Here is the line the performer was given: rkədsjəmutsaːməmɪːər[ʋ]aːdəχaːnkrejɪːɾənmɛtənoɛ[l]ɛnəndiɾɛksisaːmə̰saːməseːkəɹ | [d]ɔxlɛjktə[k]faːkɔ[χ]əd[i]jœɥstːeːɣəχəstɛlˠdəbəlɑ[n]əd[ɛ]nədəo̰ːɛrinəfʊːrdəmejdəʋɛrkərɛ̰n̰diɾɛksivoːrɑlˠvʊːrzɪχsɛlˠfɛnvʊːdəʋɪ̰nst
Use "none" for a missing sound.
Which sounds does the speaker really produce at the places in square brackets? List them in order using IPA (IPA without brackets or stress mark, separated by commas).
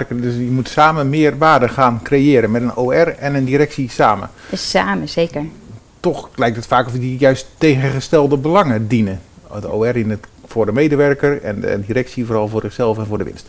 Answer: ʋ, r, t, t, f, i, ŋ, i